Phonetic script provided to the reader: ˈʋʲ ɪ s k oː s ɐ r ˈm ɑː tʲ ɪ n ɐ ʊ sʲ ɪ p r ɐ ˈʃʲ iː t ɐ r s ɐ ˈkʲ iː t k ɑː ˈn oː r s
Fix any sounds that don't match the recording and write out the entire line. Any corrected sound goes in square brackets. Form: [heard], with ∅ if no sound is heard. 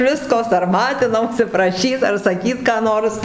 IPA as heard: ˈʋʲ ɪ s k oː s ɐ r ˈm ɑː tʲ ɪ n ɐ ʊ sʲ ɪ p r ɐ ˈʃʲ iː t ɐ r s ɐ ˈkʲ iː t k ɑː ˈn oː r s